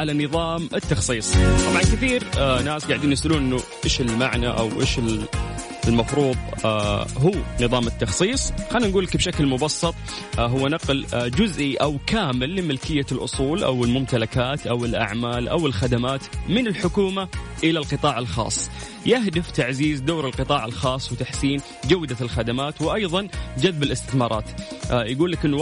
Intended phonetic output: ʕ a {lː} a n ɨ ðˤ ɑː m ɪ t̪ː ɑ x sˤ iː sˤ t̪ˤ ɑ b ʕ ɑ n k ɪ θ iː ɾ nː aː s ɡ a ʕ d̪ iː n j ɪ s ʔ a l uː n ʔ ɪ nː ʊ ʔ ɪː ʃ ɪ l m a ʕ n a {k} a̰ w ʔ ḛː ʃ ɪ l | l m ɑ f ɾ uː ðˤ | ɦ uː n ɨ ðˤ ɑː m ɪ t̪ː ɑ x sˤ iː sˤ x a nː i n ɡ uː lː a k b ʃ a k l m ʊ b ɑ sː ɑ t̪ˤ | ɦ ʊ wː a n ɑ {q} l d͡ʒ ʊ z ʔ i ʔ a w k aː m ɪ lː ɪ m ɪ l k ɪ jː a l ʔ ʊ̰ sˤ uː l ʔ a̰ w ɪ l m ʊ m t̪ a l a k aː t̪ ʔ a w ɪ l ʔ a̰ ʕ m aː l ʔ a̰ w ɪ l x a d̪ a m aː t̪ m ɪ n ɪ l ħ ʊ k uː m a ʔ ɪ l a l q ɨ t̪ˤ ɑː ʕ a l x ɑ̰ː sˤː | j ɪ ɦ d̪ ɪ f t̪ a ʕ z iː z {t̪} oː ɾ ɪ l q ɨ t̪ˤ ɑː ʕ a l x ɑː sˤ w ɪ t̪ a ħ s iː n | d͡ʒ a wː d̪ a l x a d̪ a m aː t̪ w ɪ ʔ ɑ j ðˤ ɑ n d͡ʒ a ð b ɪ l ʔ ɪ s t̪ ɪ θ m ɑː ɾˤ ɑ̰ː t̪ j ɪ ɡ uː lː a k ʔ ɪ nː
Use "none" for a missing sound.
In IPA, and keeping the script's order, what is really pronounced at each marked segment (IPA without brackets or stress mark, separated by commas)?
l, ʔ, q, d̪